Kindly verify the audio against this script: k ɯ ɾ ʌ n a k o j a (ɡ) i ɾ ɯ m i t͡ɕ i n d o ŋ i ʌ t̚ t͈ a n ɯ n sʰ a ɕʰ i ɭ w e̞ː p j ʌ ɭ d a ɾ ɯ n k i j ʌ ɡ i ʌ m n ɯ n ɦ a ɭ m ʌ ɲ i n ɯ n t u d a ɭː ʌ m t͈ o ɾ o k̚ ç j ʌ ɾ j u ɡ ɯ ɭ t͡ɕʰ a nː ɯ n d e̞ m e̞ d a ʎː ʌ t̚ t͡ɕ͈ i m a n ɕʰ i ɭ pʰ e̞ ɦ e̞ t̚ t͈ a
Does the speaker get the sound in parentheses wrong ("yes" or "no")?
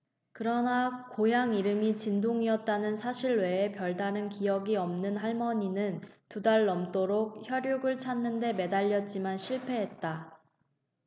yes